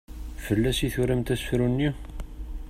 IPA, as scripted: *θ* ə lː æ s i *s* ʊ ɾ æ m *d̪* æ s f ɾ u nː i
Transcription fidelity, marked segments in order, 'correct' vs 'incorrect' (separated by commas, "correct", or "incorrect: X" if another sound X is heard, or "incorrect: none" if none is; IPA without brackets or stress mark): incorrect: f, incorrect: θ, incorrect: t̪